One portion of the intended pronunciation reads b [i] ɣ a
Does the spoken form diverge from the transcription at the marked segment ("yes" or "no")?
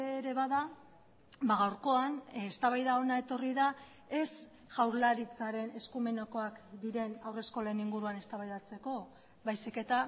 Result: yes